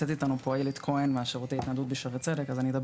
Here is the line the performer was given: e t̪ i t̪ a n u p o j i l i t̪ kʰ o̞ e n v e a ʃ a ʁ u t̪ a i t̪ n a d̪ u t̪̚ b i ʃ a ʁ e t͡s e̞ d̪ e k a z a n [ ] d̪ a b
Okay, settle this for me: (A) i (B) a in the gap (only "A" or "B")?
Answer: A